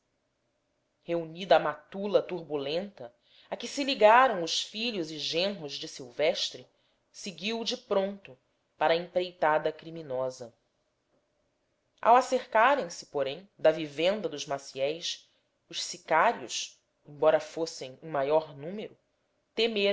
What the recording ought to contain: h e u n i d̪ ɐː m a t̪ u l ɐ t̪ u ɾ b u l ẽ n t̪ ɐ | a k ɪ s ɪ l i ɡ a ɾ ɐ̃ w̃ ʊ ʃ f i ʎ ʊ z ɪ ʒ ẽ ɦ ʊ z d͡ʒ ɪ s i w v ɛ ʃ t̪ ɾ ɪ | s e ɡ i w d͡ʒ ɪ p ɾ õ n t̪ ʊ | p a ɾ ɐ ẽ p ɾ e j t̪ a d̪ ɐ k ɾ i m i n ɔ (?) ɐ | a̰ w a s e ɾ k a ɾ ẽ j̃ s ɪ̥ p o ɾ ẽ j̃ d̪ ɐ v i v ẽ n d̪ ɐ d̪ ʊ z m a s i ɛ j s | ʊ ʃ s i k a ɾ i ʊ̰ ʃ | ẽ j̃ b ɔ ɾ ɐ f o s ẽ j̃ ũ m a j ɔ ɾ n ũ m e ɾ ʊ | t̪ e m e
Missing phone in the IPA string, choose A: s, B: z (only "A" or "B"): B